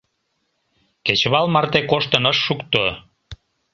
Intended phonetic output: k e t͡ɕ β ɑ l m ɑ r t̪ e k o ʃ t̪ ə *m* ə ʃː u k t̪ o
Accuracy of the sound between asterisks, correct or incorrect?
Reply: incorrect